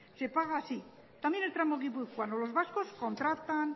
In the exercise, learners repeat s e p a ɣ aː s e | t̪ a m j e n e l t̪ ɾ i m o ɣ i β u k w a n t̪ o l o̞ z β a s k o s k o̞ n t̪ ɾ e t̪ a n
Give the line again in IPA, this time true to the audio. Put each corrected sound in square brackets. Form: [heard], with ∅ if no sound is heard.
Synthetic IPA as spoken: s e p a ɣ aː s [i] | t̪ a m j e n e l t̪ ɾ [a] m o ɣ i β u k w a n [d̪] o l o̞ z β a s k o s k o̞ n t̪ ɾ [a] t̪ a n